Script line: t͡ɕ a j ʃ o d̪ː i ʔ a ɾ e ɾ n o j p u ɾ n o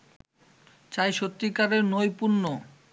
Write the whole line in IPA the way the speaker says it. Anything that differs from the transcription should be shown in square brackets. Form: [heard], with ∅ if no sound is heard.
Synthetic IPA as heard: t͡ɕ a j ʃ o [t̪ː] i [k] a ɾ e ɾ n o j p u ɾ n o